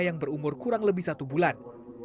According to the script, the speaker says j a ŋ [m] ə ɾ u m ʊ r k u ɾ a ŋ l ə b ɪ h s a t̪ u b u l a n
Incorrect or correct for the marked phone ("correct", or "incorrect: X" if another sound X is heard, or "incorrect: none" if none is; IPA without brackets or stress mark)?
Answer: incorrect: b